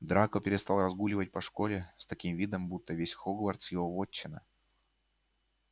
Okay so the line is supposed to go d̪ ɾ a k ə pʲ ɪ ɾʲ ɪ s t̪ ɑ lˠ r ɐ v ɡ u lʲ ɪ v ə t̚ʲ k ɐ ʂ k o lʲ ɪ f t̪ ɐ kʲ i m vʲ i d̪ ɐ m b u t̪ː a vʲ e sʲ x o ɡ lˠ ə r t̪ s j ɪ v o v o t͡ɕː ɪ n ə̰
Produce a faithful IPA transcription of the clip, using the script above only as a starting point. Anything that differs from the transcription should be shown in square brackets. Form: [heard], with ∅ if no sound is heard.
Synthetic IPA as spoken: d̪ ɾ a k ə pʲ ɪ ɾʲ ɪ s t̪ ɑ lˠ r ɐ [z] ɡ u lʲ ɪ v ə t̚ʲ [p] ɐ ʂ k o lʲ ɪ [s] t̪ ɐ kʲ i m vʲ i d̪ [ə] m b u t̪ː [ə] vʲ e sʲ x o ɡ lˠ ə r t̪ s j ɪ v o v o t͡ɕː ɪ n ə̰